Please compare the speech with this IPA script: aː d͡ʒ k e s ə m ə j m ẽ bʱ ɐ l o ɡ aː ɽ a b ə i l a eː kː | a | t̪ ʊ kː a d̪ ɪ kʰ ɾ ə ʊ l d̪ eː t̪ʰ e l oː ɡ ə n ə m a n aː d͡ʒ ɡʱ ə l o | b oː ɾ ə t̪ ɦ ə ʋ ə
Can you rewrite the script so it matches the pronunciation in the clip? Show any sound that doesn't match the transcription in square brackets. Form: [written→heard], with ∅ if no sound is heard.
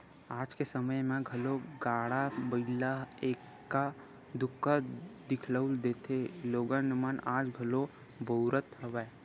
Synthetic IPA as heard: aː d͡ʒ k e s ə m ə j m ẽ [bʱ→ɡʱ] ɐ l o ɡ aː ɽ a b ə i l a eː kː | a | [t̪→d̪] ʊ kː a d̪ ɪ kʰ [ɾ→l] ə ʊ l d̪ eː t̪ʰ e l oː ɡ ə n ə m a n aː d͡ʒ ɡʱ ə l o | b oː ɾ ə t̪ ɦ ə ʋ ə